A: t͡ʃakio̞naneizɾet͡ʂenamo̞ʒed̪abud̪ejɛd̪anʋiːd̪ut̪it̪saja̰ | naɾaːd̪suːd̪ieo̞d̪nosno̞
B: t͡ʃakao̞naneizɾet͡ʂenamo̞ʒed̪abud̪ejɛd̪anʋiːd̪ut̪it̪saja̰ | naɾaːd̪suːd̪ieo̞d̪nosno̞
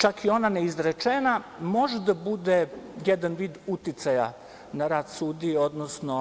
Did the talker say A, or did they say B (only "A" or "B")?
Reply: A